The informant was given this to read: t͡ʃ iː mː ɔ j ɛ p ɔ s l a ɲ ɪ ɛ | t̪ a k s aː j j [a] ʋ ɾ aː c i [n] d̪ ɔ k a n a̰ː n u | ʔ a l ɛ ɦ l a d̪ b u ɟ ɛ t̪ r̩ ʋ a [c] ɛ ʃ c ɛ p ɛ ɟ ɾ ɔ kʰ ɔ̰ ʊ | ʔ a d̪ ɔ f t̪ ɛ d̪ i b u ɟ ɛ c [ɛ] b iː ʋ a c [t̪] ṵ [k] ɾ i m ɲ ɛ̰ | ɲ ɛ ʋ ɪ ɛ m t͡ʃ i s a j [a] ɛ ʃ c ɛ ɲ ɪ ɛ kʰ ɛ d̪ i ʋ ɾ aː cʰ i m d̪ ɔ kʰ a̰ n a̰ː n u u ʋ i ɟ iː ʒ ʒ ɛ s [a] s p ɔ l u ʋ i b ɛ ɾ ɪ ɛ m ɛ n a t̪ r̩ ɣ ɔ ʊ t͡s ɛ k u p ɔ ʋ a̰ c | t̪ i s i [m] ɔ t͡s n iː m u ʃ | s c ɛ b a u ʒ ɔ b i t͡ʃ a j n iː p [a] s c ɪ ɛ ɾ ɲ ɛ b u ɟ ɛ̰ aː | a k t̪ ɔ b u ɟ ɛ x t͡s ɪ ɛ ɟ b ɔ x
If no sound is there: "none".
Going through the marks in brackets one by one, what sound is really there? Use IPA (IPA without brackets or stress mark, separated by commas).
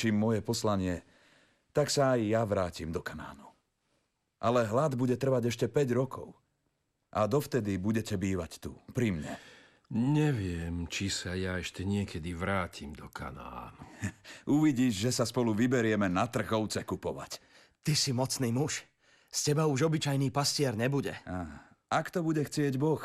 a, m, ɟ, ɛ, t̪, p, a, a, m, a